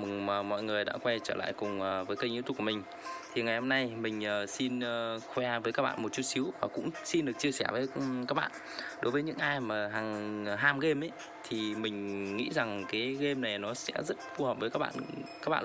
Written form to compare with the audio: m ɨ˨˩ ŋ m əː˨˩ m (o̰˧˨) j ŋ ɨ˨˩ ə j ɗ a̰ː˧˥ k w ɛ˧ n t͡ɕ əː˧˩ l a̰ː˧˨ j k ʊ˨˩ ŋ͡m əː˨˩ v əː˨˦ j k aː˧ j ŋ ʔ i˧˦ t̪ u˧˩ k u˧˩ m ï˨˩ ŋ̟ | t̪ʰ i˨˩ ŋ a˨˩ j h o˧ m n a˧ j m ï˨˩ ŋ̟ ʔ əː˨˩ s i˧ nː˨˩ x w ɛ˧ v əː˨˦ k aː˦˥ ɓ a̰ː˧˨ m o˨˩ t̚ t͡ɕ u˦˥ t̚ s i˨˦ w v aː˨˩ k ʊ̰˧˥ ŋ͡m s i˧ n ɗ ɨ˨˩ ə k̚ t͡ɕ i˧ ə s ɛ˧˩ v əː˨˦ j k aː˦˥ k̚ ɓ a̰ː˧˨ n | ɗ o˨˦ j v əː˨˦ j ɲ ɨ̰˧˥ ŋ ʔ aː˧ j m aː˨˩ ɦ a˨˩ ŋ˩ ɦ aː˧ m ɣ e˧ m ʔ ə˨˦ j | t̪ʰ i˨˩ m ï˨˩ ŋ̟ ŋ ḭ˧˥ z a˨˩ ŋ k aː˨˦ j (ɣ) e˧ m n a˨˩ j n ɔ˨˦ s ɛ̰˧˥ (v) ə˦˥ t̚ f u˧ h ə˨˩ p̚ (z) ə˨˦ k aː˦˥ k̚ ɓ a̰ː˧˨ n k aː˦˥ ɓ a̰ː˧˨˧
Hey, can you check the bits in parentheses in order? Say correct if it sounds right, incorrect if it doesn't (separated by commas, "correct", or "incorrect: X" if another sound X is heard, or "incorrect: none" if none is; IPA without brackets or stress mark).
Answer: incorrect: ɔ̰˧˨, correct, incorrect: z, incorrect: v